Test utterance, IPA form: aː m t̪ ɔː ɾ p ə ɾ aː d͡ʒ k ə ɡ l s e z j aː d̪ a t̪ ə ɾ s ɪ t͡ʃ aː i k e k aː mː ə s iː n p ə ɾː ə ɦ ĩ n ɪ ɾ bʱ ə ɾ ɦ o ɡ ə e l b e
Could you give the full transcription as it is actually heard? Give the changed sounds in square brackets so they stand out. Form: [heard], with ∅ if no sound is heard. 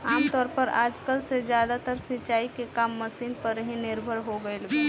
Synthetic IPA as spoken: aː m t̪ ɔː ɾ p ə ɾ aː d͡ʒ k ə [∅] l s e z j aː d̪ a t̪ ə ɾ s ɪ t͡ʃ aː i k e k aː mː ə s iː n p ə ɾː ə ɦ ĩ n ɪ ɾ bʱ ə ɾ ɦ o ɡ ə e l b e